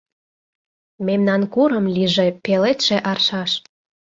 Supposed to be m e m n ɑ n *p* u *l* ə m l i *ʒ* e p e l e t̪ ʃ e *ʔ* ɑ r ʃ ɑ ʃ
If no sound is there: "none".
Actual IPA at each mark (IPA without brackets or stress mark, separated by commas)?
k, ɾ, ʒ, ʔ